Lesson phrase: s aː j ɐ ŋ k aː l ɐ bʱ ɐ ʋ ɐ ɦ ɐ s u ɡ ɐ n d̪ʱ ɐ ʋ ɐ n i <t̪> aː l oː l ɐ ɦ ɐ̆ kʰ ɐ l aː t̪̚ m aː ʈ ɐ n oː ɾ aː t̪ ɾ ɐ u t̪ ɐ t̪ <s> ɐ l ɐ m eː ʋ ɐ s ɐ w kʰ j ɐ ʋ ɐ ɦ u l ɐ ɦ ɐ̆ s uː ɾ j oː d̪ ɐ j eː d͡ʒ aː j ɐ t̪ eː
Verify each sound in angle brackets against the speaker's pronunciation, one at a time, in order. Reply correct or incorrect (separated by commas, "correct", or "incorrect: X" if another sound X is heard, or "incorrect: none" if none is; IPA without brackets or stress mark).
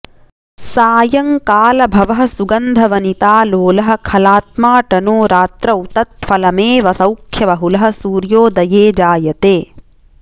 correct, incorrect: f